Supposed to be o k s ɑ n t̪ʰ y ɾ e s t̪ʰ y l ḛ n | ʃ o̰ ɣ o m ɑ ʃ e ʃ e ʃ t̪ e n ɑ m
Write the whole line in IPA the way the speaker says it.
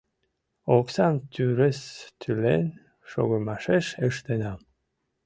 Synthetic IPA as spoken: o k s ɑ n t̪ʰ y ɾ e s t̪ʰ y l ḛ n | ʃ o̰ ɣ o m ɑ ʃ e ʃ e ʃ t̪ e n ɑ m